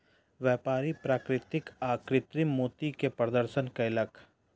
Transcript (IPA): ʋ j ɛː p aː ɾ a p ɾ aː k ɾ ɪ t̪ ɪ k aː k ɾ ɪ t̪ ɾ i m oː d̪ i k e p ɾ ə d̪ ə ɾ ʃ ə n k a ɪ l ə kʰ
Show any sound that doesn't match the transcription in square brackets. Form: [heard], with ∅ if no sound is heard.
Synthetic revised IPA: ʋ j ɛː p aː ɾ [i] p ɾ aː k ɾ ɪ t̪ ɪ k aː k ɾ ɪ t̪ ɾ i m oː [t̪] i k e p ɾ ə d̪ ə ɾ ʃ ə n k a ɪ l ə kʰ